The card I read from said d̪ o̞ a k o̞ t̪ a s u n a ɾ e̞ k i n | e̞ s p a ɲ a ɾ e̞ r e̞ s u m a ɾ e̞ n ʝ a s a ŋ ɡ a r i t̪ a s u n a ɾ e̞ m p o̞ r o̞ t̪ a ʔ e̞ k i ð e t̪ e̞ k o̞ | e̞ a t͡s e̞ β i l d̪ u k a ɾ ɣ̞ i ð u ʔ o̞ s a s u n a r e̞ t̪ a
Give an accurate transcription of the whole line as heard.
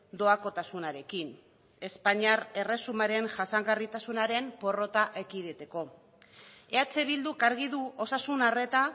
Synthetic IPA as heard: d̪ o̞ a k o̞ t̪ a s u n a ɾ e̞ k i n | e̞ s p a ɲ a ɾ e̞ r e̞ s u m a ɾ e̞ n ʝ a s a ŋ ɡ a r i t̪ a s u n a ɾ e̞ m p o̞ r o̞ t̪ a ʔ e̞ k i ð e t̪ e̞ k o̞ | e̞ a t͡s e̞ β i l d̪ u k a ɾ ɣ̞ i ð u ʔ o̞ s a s u n a r e̞ t̪ a